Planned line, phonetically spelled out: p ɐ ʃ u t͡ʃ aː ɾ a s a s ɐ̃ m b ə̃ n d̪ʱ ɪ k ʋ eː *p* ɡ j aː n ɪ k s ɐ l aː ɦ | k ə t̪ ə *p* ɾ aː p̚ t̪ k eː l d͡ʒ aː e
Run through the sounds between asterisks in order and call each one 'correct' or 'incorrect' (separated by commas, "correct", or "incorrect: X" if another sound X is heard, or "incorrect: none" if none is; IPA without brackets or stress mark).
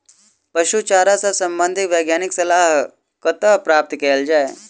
incorrect: none, correct